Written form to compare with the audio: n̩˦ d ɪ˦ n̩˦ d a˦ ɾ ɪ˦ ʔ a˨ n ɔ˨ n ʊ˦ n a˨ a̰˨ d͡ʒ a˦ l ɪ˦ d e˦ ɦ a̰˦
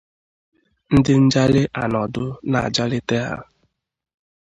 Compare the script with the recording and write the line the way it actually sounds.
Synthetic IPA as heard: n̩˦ d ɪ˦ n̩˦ d͡ʒ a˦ l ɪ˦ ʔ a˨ n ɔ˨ d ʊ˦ n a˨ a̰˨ d͡ʒ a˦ l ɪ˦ t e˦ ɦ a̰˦